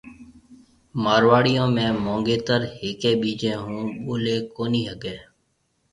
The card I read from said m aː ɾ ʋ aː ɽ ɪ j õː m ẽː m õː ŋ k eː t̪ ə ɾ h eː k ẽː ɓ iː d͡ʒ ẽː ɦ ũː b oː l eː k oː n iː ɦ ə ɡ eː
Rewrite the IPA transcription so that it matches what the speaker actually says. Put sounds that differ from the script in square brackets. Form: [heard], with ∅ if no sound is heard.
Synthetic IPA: m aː ɾ ʋ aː ɽ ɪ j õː m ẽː m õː ŋ [ɡ] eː t̪ ə ɾ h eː k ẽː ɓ iː d͡ʒ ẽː ɦ ũː [ɓ] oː l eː k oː n iː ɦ ə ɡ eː